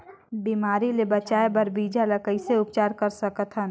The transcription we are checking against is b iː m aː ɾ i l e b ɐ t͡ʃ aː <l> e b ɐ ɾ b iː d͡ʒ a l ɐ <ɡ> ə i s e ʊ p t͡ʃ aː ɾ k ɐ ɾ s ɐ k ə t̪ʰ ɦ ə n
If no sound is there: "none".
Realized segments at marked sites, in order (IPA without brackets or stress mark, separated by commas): none, k